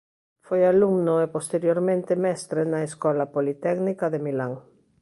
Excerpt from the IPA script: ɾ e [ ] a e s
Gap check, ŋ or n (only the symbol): n